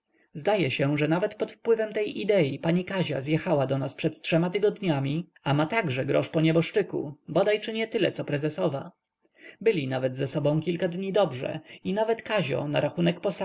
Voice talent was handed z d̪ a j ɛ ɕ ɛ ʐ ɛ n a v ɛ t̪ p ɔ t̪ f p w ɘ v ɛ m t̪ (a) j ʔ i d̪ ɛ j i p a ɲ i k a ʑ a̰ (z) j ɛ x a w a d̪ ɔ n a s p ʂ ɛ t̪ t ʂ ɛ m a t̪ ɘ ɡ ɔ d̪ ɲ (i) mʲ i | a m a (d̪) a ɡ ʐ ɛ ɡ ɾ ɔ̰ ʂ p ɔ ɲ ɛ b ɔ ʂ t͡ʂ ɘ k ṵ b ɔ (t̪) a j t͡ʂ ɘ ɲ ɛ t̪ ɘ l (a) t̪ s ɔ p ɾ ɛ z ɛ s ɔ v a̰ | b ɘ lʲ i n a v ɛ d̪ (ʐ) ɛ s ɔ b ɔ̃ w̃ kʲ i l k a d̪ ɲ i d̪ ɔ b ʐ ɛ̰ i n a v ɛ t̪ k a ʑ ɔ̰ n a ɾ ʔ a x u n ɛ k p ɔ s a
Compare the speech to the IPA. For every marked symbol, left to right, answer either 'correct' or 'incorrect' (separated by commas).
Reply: incorrect, correct, incorrect, incorrect, incorrect, incorrect, incorrect